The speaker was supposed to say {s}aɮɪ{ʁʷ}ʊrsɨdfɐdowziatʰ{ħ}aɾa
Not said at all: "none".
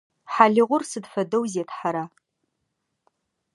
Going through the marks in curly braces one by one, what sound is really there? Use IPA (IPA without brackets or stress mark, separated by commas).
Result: ħ, ʁʷ, ħ